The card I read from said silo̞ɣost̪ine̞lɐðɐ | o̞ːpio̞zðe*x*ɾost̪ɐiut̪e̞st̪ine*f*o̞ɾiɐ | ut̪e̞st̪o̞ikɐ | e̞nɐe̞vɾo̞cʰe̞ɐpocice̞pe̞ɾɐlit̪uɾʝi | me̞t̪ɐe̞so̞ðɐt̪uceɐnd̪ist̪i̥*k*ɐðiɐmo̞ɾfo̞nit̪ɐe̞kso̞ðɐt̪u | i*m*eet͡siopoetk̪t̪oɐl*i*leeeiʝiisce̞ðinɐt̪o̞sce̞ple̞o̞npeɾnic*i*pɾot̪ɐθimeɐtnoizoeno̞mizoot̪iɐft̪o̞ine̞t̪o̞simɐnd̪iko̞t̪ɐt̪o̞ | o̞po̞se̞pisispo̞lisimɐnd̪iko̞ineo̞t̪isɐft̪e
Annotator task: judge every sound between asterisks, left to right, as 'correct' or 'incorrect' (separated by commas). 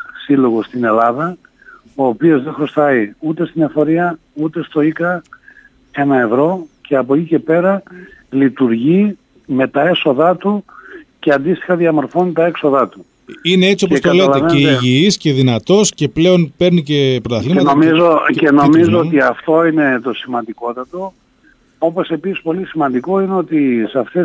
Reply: correct, correct, incorrect, incorrect, incorrect, incorrect